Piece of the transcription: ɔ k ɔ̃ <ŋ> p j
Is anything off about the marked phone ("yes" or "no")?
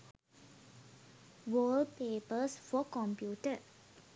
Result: yes